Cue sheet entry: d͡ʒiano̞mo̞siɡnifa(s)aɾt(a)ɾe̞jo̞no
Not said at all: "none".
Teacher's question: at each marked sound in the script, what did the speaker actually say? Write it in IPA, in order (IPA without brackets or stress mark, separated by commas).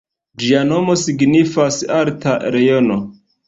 s, a